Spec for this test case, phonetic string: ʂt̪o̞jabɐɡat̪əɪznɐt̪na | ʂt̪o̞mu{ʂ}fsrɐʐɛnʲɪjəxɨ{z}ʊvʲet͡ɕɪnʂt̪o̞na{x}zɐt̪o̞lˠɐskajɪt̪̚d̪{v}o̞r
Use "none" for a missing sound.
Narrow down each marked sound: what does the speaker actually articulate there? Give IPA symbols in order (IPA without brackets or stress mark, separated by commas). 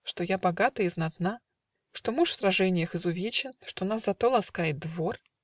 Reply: ʂ, z, s, v